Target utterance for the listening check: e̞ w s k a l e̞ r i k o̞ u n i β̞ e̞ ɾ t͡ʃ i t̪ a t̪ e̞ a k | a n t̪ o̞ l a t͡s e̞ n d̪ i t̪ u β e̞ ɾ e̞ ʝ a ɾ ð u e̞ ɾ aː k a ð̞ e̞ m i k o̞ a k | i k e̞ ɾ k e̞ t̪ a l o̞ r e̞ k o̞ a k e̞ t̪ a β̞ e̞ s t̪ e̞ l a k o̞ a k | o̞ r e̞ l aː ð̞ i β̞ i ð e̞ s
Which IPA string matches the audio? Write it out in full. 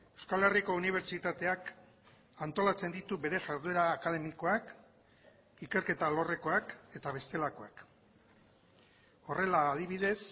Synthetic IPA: e̞ w s k a l e̞ r i k o̞ u n i β̞ e̞ ɾ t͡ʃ i t̪ a t̪ e̞ a k | a n t̪ o̞ l a t͡s e̞ n d̪ i t̪ u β e̞ ɾ e̞ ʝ a ɾ ð u e̞ ɾ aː k a ð̞ e̞ m i k o̞ a k | i k e̞ ɾ k e̞ t̪ a l o̞ r e̞ k o̞ a k e̞ t̪ a β̞ e̞ s t̪ e̞ l a k o̞ a k | o̞ r e̞ l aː ð̞ i β̞ i ð e̞ s